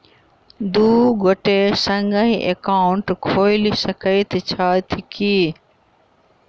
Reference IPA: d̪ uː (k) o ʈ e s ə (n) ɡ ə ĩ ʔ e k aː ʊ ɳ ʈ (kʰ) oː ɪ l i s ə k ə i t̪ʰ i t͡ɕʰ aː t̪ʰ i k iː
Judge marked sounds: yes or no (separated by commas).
no, no, yes